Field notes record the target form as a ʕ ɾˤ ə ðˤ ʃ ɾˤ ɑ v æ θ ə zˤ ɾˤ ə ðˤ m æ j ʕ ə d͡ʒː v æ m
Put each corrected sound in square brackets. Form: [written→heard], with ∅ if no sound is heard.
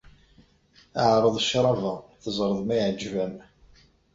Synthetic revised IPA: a ʕ ɾˤ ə ðˤ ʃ ɾˤ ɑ v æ θ ə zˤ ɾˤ ə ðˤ m æ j ʕ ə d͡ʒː v æ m